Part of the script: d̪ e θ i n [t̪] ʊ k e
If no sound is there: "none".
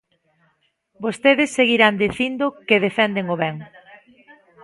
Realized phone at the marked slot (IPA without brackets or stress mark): d̪